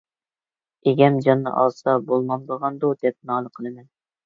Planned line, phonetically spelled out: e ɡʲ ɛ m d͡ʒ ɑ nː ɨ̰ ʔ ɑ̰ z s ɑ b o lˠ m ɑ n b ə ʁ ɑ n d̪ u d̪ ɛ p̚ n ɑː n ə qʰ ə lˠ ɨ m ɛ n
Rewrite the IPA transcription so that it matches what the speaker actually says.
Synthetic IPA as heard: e ɡʲ ɛ m d͡ʒ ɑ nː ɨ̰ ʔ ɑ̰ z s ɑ b o lˠ m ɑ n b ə ʁ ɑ n d̪ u d̪ ɛ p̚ n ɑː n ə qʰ ə lˠ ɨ m ɛ n